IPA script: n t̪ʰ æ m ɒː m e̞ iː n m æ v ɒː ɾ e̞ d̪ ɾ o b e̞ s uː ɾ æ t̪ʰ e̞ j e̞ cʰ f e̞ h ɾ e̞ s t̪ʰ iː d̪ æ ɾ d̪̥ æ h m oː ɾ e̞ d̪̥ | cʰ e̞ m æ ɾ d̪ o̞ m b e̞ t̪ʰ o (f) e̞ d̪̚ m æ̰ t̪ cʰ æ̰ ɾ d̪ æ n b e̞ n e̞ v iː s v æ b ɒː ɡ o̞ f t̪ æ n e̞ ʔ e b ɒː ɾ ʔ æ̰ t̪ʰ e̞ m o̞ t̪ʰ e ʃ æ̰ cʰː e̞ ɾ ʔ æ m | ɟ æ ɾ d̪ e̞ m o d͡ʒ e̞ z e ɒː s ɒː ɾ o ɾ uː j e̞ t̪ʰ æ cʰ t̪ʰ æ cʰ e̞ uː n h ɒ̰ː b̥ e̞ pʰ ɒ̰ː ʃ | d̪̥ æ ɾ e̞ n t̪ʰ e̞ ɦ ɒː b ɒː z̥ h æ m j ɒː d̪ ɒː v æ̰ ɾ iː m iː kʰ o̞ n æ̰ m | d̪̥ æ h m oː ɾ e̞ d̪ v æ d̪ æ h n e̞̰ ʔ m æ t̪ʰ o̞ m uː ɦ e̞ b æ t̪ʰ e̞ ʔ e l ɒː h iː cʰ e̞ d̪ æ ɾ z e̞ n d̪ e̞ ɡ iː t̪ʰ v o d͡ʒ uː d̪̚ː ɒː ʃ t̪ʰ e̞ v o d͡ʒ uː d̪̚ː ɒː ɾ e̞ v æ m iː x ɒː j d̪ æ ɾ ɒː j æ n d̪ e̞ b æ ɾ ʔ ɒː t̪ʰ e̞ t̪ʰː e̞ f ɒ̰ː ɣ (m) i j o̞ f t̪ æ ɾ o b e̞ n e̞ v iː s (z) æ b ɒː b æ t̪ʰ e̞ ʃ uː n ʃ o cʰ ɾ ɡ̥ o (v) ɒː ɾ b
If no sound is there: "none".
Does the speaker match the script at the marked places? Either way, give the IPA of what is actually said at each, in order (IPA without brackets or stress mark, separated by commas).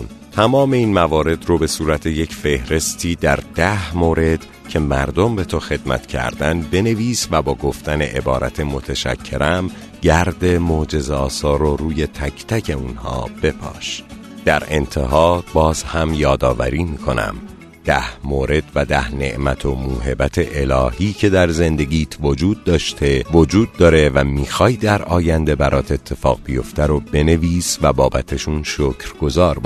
x, b, v, z